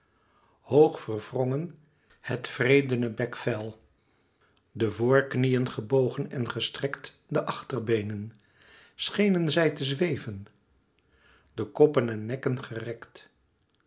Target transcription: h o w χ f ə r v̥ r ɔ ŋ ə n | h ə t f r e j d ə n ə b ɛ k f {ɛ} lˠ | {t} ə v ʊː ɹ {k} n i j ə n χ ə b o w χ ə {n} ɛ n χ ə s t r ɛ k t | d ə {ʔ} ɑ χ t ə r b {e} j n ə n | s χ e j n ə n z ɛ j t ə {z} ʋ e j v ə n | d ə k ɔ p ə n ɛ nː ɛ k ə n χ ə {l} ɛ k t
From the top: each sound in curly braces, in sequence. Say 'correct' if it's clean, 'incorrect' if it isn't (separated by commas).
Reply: correct, incorrect, correct, correct, correct, correct, correct, incorrect